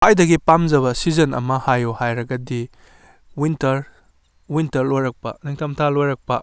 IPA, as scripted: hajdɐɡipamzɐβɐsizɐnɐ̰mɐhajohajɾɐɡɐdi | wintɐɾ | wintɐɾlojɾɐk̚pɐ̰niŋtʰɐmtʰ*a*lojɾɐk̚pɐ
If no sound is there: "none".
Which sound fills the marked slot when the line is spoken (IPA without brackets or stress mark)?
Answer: a